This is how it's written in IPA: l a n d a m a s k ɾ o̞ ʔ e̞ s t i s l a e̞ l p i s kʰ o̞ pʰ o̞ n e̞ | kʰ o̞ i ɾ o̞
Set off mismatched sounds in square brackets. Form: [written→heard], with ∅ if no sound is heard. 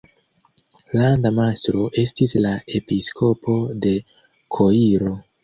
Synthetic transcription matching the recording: l a n d a m a s [k→t] ɾ o̞ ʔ e̞ s t i s l a e̞ [l→∅] p i s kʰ o̞ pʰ o̞ [n→d] e̞ | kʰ o̞ i ɾ o̞